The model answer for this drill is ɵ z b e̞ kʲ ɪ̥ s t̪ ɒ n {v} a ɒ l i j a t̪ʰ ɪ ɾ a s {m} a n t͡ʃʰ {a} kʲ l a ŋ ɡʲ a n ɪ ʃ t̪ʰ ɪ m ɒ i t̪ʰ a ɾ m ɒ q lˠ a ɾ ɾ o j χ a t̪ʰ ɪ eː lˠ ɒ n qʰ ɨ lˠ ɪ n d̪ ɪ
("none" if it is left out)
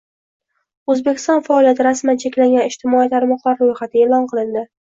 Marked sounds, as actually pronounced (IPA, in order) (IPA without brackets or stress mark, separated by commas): f, m, e